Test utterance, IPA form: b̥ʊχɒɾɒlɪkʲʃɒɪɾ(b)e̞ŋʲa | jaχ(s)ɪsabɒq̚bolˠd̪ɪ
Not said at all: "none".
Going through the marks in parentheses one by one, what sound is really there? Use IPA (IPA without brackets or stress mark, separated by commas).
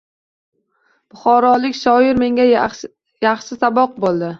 m, ʃ